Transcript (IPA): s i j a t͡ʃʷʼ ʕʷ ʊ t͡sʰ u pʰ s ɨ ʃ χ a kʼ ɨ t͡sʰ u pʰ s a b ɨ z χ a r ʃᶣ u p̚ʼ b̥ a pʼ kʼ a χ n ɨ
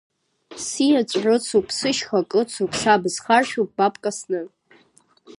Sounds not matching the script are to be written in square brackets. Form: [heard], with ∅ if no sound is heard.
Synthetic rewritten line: s i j a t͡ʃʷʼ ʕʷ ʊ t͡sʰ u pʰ s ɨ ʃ χ a kʼ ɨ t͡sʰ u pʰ s a b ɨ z χ a r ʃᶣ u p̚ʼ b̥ a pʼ kʼ a [s] n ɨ